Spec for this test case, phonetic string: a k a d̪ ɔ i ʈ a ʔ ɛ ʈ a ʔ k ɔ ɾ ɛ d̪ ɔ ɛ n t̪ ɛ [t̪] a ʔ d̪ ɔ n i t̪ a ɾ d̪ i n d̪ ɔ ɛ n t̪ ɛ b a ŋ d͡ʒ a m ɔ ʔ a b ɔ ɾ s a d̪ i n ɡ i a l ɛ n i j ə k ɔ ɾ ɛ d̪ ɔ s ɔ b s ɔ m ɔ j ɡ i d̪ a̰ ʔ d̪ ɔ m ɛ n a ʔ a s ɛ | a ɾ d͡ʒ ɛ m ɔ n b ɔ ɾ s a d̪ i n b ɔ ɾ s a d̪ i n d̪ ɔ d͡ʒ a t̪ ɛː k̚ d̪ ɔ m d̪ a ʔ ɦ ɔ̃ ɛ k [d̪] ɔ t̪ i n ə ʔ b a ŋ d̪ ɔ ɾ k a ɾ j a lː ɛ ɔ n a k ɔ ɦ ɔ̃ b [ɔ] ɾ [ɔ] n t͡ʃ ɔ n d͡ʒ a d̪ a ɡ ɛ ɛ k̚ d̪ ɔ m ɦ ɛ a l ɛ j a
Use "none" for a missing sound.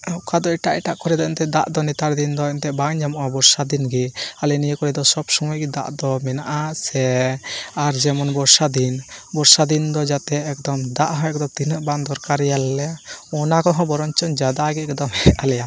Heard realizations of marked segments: d̪, d̪, ɔ, ɔ

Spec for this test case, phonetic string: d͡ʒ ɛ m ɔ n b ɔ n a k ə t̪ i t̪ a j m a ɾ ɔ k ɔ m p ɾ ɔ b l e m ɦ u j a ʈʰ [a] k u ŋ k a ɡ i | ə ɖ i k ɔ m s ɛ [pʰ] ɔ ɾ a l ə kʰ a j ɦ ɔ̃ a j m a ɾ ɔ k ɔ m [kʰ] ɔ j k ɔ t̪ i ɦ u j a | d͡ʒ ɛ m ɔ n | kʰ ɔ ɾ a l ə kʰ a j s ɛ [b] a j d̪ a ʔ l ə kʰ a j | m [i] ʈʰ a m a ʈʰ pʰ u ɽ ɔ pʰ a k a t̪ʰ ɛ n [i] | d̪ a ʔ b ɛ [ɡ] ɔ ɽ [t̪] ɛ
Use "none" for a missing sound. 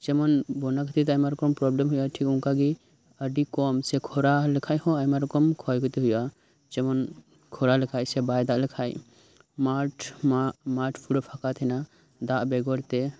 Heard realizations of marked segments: i, kʰ, kʰ, b, a, a, ɡ, t̪

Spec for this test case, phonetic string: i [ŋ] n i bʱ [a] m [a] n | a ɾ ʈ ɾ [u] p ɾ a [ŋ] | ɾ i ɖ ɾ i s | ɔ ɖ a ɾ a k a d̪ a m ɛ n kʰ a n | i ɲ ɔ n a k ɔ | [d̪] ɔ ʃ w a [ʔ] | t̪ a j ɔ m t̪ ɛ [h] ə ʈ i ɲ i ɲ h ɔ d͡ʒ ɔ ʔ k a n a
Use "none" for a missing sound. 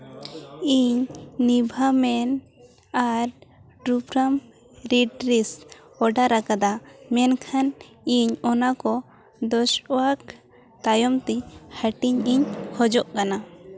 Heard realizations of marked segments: ɲ, a, ɛ, u, m, d̪, k, h

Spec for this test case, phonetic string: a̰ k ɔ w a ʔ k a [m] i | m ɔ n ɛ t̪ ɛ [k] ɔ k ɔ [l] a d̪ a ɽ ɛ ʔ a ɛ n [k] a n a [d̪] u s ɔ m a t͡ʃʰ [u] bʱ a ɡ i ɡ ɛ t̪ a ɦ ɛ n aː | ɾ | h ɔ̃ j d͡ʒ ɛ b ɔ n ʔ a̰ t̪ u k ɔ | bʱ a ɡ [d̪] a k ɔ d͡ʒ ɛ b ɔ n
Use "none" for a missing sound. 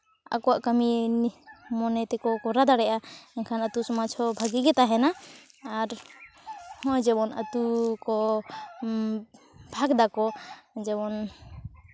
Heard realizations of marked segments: m, k, ɾ, kʰ, t̪, ɔ, d̪

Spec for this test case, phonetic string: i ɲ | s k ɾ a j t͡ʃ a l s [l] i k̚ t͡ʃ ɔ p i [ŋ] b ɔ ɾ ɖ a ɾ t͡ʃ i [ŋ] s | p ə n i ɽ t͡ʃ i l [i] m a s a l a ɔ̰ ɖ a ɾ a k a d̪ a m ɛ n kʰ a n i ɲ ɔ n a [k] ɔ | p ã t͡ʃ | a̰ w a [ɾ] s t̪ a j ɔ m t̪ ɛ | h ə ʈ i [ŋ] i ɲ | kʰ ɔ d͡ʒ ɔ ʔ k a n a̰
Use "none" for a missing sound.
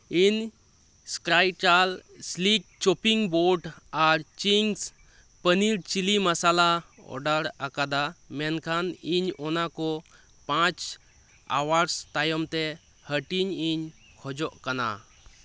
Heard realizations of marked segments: l, ŋ, ŋ, i, k, ɾ, ɲ

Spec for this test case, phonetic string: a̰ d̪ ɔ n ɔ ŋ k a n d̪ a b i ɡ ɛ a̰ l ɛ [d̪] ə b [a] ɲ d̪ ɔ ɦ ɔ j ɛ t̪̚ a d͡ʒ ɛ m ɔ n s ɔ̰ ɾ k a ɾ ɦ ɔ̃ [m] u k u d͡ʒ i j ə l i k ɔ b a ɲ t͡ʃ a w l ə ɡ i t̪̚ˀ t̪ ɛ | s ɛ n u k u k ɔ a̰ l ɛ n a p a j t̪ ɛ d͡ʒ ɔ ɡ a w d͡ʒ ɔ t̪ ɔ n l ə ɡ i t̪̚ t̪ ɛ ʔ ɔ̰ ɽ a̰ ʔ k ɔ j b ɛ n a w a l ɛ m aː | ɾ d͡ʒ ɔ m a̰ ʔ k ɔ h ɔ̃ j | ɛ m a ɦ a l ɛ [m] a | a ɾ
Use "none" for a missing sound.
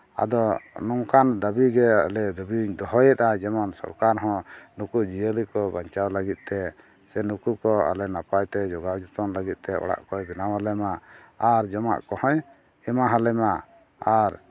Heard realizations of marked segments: d̪, i, n, m

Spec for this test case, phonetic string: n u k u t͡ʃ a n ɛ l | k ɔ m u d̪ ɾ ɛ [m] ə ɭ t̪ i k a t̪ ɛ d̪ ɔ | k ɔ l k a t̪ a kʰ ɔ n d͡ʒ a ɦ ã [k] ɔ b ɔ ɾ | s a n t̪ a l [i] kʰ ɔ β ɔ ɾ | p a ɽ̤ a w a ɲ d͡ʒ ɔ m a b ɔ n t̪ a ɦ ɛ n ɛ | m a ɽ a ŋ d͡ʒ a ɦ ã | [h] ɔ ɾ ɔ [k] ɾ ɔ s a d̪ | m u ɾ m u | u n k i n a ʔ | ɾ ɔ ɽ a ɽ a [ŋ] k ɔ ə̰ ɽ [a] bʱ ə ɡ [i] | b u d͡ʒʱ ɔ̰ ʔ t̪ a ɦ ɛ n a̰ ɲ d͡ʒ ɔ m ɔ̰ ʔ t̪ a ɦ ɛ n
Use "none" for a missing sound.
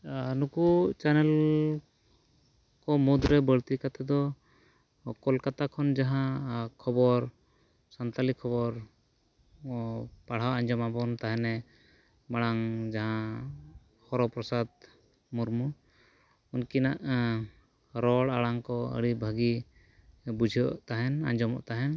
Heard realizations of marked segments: b, kʰ, i, h, p, ŋ, i, i

